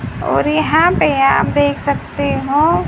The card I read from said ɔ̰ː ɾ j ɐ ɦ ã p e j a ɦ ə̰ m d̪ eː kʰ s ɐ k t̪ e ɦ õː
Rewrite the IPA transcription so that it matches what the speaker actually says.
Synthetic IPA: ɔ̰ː ɾ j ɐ ɦ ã p e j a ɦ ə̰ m d̪ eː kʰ s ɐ k t̪ e ɦ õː